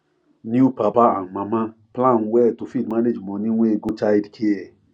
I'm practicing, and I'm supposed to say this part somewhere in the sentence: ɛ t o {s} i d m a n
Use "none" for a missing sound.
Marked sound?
f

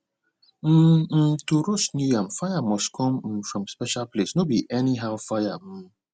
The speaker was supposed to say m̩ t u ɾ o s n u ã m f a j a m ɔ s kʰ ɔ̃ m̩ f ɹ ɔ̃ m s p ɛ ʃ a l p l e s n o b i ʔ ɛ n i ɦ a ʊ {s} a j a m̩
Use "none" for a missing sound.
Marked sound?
f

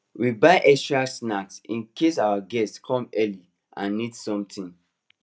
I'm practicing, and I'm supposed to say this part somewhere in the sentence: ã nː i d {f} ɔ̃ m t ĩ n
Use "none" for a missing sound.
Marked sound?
s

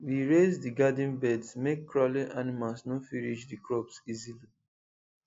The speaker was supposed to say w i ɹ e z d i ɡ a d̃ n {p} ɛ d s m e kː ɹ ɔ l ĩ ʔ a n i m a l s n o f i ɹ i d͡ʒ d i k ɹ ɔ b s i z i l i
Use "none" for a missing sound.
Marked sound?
b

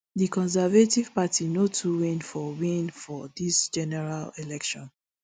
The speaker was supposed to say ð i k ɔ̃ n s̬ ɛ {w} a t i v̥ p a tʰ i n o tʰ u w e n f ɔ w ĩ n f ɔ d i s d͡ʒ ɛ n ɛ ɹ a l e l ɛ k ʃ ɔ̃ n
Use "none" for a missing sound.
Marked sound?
v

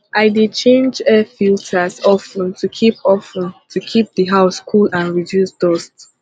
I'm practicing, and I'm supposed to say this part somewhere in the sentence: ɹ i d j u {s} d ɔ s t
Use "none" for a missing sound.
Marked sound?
s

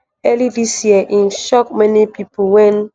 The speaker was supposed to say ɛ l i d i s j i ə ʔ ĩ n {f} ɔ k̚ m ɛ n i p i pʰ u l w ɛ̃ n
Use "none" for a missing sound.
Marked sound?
ʃ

